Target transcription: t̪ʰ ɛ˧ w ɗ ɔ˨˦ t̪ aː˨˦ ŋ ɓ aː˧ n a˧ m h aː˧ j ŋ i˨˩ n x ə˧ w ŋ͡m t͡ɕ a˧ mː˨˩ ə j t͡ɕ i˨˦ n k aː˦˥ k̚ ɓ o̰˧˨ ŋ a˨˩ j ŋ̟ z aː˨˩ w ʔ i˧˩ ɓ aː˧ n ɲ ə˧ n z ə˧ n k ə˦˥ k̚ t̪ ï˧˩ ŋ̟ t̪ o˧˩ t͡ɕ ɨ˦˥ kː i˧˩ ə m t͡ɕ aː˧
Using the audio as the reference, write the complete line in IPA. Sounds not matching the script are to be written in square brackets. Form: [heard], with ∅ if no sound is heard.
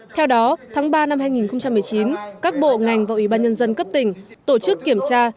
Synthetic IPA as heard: t̪ʰ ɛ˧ w ɗ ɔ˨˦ [t̪ʰ] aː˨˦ ŋ ɓ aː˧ n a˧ m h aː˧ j ŋ i˨˩ n x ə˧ w ŋ͡m t͡ɕ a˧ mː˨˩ ə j t͡ɕ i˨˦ n k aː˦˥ k̚ ɓ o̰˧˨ ŋ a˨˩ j ŋ̟ [v] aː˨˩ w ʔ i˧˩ ɓ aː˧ n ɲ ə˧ n z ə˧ n k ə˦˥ [p̚] t̪ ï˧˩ ŋ̟ t̪ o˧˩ t͡ɕ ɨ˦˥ kː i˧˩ ə m t͡ɕ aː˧